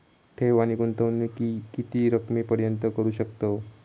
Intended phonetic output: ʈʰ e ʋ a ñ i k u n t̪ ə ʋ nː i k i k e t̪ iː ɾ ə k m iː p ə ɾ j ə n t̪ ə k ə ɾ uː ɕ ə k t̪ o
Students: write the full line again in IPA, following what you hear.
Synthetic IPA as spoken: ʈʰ e ʋ a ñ i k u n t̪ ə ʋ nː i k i k i t̪ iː ɾ ə k m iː p ə ɾ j ə n t̪ ə k ə ɾ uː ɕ ə k t̪ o